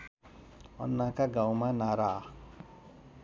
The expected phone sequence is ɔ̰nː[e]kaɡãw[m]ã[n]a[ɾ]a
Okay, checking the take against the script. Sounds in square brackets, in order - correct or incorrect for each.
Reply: incorrect: a, correct, correct, correct

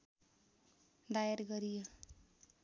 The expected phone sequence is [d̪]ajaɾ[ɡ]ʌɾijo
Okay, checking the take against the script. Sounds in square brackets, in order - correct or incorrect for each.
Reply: correct, correct

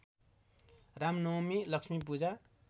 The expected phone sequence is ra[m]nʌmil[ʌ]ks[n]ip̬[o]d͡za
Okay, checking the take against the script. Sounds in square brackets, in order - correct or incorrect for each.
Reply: correct, correct, incorrect: m, incorrect: u

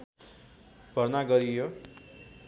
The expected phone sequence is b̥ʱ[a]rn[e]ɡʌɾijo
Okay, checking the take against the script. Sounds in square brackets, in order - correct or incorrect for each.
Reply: incorrect: ʌ, incorrect: a

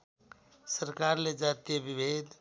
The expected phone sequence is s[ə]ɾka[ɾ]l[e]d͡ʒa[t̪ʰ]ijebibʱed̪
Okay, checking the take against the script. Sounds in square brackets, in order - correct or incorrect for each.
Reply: correct, correct, correct, incorrect: t̪

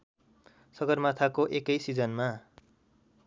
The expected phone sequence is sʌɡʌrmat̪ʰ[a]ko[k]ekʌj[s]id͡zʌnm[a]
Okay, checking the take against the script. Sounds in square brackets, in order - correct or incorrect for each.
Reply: correct, incorrect: ʔ, correct, correct

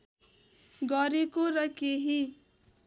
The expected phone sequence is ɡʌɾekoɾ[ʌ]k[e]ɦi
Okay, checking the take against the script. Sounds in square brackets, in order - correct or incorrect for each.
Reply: correct, correct

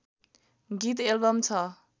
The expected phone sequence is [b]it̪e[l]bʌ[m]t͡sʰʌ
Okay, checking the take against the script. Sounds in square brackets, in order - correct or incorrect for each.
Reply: incorrect: ɡ, correct, correct

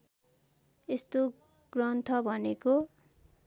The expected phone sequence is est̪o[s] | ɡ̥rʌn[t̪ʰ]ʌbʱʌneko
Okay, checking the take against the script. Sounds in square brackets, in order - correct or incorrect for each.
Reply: incorrect: none, correct

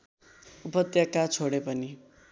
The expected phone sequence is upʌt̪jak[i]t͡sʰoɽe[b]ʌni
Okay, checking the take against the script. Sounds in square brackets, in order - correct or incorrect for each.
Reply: incorrect: a, incorrect: p

